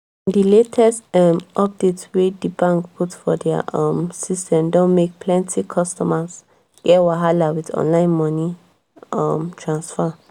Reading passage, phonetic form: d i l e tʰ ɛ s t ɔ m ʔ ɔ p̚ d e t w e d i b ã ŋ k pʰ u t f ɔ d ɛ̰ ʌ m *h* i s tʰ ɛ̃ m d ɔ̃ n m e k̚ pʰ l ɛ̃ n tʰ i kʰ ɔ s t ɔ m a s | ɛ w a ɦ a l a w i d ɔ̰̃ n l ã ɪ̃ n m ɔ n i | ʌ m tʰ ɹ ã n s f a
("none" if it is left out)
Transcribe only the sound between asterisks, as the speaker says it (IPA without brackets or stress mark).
s